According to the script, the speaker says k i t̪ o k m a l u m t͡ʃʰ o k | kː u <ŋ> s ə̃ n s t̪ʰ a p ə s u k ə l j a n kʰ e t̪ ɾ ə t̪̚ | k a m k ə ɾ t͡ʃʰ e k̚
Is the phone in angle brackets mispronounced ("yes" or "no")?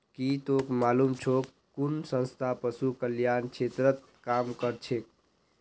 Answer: yes